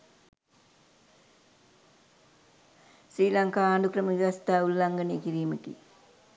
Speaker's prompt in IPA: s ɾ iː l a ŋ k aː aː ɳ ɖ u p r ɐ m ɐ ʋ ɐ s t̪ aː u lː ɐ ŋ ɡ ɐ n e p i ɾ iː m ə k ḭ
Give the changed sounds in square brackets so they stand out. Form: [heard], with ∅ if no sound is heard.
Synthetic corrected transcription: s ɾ iː l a ŋ k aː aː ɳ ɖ u [k] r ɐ m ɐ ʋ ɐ s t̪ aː u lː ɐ ŋ ɡ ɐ n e [k] i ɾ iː m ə k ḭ